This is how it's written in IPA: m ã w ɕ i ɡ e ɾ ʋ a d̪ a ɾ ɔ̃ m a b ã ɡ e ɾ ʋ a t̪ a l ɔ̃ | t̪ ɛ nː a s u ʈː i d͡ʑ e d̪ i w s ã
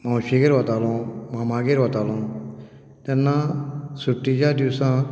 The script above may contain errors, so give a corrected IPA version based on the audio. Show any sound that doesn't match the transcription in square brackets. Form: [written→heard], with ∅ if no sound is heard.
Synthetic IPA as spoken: m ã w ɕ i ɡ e ɾ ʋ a [d̪→t̪] a [ɾ→l] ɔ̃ m a [b→m] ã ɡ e ɾ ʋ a t̪ a l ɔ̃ | t̪ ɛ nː a s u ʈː i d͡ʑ [e→a] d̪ i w s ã